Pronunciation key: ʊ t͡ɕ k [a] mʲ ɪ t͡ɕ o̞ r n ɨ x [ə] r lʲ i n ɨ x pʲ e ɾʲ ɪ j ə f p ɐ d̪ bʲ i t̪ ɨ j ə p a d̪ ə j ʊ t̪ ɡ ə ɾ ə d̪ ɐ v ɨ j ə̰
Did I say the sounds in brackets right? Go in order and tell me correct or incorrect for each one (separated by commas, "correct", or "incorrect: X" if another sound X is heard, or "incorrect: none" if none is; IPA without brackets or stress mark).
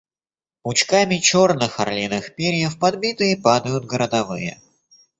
correct, incorrect: ɐ